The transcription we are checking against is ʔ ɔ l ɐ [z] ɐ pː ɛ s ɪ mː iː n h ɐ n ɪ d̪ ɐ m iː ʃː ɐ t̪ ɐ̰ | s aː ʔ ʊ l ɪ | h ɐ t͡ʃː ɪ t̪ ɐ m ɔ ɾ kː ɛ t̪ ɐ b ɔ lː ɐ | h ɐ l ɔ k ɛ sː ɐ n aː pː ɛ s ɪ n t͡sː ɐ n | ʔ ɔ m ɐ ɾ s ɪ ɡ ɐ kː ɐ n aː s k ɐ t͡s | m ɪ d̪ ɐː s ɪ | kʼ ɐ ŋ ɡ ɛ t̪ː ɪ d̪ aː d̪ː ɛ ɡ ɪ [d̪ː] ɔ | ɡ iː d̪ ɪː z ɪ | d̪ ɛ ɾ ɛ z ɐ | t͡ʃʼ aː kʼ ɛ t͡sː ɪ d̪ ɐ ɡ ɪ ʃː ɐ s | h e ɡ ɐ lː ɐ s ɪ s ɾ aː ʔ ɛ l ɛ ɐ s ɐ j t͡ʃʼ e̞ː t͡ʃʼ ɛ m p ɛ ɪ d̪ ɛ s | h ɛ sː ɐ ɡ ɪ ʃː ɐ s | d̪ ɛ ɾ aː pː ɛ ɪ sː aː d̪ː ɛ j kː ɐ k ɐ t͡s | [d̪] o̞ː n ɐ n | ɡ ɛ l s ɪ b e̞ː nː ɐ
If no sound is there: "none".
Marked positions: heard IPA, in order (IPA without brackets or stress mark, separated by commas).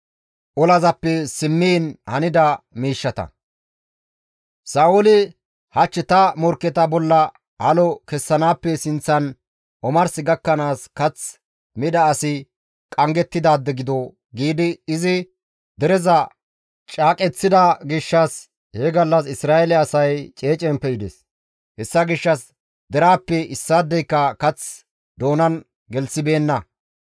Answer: z, d̪, d̪